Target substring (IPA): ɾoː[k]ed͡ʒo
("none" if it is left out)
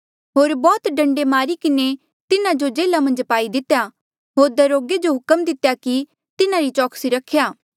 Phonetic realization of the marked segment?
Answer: ɡ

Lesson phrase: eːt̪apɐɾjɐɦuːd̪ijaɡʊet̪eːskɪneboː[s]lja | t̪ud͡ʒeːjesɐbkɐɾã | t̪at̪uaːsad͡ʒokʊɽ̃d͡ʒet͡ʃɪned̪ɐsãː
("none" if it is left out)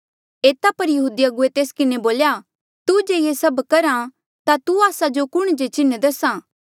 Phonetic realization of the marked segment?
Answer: none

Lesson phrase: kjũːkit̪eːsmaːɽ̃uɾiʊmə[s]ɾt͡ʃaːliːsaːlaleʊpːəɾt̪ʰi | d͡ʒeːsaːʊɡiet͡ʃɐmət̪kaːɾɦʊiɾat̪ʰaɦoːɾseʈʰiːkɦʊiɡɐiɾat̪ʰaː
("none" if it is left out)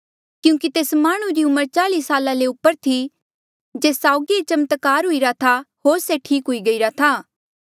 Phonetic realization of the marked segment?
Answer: none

